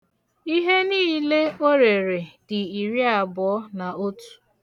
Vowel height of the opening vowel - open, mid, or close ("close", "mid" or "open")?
close